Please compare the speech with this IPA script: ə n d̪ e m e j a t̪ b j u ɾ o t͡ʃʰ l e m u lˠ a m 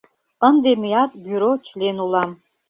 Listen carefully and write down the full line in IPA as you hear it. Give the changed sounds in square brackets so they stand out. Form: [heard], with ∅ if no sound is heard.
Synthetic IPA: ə n d̪ e m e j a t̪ b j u ɾ o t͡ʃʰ l e [n] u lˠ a m